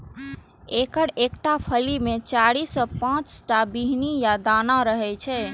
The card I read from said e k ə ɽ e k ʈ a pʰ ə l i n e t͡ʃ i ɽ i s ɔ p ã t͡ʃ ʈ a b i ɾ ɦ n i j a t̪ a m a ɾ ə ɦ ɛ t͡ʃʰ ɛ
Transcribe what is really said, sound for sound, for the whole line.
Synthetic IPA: e k ə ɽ e k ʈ a pʰ ə l i m e t͡ʃ a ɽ i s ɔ p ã t͡ʃ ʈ a b i ɦ n i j a d̪ a n a ɾ ə ɦ ɛ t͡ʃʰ ɛ